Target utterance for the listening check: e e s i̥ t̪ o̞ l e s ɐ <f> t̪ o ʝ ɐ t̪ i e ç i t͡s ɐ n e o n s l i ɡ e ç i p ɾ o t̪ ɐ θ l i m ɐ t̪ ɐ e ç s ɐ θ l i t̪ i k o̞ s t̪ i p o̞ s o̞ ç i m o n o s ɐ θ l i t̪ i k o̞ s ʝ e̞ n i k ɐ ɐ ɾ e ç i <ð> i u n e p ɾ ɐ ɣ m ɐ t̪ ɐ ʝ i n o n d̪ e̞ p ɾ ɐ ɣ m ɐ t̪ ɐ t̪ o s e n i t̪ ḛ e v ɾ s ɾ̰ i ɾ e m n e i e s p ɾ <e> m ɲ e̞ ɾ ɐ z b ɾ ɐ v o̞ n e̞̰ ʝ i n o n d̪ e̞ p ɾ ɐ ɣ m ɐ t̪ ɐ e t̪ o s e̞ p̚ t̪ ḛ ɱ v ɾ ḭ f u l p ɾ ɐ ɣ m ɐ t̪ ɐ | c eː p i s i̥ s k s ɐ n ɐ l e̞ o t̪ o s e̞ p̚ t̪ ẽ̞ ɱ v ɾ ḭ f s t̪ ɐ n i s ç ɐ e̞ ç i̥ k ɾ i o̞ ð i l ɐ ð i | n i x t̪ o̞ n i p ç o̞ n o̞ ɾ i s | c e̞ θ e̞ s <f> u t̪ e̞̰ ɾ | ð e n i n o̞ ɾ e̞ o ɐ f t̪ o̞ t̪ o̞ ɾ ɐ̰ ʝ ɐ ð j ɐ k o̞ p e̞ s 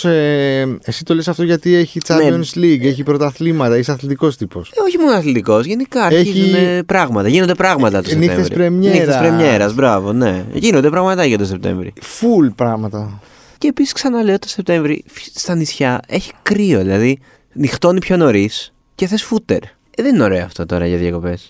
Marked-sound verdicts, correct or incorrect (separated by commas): correct, incorrect, correct, correct